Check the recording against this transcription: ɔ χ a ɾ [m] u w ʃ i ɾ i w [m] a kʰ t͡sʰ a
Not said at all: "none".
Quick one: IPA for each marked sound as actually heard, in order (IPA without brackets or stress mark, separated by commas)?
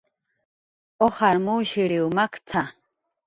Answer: m, m